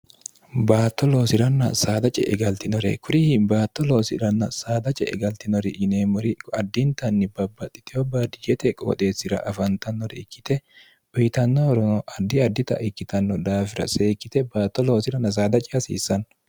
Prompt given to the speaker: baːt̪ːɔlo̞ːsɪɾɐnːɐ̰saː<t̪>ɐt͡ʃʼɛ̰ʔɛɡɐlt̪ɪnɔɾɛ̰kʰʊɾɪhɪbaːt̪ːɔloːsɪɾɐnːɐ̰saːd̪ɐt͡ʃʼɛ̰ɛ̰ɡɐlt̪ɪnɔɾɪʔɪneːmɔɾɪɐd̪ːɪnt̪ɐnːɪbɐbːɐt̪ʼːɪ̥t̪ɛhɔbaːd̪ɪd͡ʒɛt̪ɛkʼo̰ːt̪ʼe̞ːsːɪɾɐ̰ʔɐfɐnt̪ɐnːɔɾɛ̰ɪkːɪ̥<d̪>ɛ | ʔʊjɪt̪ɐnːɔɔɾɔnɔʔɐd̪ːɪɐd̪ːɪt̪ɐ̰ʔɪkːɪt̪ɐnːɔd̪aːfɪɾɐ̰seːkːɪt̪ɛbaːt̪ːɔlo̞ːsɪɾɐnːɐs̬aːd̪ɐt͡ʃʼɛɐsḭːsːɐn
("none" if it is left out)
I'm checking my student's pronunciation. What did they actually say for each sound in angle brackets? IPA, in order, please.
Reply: d̪, t̪

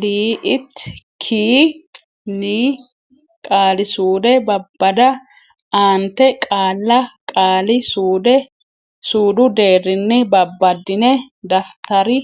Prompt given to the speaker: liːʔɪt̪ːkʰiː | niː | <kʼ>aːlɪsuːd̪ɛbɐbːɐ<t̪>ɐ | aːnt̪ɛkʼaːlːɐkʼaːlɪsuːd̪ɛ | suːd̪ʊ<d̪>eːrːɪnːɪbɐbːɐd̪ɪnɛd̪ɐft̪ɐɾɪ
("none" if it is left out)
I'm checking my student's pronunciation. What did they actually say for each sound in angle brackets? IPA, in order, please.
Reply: kʼ, d̪, d̪

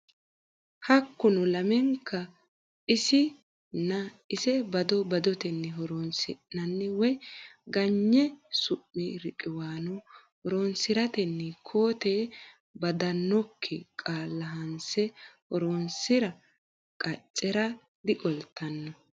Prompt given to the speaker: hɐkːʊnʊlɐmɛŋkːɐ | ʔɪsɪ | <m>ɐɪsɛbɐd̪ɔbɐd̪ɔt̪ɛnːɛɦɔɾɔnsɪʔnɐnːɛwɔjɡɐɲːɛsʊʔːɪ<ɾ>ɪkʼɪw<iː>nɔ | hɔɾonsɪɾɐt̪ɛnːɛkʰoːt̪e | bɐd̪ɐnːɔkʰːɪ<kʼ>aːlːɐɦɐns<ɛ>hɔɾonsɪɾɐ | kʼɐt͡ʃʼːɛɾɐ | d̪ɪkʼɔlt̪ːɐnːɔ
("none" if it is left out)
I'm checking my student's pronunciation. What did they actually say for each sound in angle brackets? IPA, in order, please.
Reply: n, ɾ, aː, kʼ, ɛ

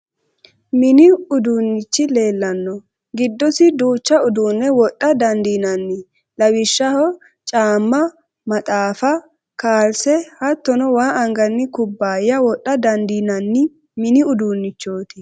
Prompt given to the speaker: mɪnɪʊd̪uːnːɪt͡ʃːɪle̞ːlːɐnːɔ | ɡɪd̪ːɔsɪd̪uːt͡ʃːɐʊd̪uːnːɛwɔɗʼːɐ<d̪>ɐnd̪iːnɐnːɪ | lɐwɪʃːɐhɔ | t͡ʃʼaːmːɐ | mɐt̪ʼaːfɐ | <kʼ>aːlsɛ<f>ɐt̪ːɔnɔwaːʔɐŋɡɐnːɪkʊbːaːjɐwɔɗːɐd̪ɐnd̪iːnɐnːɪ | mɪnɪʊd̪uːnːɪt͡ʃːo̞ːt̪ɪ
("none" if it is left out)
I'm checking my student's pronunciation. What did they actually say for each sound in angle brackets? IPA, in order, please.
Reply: d̪, k, h

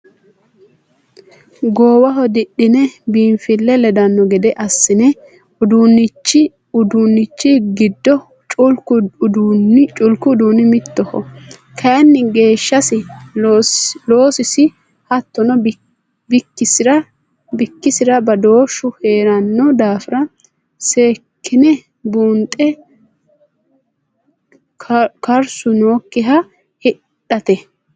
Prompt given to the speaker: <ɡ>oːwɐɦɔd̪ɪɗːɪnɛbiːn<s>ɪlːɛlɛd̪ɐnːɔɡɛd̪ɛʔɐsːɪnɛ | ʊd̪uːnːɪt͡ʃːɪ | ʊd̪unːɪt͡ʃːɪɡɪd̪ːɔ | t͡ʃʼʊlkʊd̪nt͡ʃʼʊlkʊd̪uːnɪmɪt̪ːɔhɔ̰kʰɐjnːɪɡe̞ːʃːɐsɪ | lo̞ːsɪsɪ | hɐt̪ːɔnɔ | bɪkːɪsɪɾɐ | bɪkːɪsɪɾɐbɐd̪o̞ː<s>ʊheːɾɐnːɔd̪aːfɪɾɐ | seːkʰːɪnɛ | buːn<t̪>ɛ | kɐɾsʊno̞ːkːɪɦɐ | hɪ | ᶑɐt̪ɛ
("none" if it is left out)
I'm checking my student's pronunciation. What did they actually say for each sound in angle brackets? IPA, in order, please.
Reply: ɡ, f, ʃ, t̪ʼ

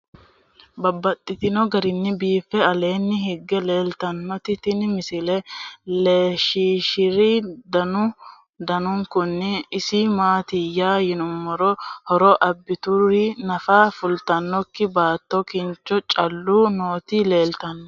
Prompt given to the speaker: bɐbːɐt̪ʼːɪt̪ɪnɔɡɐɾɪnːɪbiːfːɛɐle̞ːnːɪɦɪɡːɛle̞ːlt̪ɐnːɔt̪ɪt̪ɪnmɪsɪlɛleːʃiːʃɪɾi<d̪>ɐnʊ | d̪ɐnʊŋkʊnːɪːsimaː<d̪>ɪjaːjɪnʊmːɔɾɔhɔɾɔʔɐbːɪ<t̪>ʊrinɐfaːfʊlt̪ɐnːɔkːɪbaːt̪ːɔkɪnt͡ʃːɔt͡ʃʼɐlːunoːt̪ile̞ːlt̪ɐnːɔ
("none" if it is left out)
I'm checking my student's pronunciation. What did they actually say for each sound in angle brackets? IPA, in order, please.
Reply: d̪, t̪, t̪

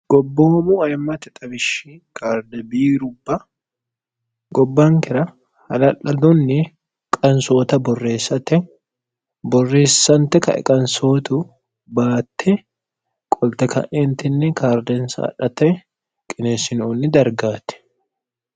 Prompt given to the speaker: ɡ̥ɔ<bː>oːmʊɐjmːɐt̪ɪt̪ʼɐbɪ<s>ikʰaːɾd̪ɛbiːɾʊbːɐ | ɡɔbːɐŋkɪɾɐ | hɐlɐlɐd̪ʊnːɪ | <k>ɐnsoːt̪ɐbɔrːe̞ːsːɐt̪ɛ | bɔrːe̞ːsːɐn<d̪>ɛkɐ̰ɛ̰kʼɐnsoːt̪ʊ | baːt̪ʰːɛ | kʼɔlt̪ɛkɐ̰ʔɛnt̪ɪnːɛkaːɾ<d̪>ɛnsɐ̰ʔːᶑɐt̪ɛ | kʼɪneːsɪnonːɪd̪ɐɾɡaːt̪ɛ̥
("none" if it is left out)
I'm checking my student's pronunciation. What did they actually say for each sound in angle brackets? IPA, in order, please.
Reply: bː, ʃ, kʼ, t̪, d̪

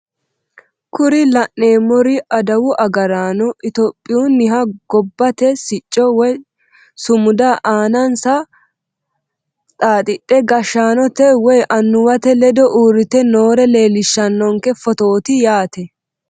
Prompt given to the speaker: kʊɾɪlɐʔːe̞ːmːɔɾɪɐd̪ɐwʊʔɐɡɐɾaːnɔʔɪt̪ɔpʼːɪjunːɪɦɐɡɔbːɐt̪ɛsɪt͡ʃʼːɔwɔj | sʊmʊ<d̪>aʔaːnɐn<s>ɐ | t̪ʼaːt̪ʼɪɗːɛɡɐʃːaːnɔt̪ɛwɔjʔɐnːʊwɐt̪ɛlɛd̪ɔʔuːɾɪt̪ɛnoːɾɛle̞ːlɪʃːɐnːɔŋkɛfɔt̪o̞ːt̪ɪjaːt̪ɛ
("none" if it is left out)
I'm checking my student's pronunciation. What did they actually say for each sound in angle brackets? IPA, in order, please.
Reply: d̪, s

